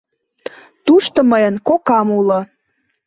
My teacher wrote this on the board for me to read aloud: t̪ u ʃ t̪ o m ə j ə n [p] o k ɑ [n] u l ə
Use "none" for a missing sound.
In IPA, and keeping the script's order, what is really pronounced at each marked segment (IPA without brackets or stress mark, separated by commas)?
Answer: k, m